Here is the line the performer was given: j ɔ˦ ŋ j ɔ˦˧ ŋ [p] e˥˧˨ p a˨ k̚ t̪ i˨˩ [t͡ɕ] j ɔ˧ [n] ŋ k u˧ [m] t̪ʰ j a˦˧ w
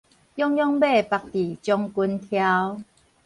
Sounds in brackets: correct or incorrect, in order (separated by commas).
incorrect, correct, incorrect, incorrect